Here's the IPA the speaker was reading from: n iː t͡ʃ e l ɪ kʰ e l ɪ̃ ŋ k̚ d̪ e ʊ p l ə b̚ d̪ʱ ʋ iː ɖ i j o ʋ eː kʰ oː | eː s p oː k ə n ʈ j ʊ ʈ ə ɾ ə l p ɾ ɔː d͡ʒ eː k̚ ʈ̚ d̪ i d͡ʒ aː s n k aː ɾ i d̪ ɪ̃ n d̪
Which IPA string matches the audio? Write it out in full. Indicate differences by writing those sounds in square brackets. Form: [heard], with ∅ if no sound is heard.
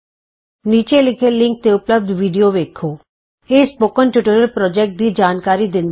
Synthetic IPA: n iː t͡ʃ e l ɪ kʰ e l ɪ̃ ŋ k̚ [t̪] e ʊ p l ə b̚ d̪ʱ ʋ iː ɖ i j o ʋ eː kʰ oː | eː s p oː k ə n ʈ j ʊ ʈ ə ɾ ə l p ɾ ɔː d͡ʒ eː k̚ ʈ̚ d̪ i d͡ʒ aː [∅] n k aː ɾ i d̪ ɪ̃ n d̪